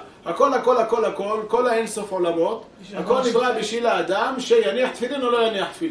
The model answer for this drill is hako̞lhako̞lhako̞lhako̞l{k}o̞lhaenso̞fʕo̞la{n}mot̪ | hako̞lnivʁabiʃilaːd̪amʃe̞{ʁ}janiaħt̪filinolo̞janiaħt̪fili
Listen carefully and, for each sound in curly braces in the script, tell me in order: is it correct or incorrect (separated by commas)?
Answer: correct, incorrect, incorrect